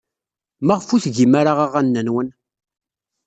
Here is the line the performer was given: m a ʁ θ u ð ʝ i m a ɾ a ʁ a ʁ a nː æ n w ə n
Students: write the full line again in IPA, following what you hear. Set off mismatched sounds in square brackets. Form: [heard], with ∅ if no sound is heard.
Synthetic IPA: m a ʁ [f] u [θ] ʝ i m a ɾ a ʁ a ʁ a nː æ n w ə n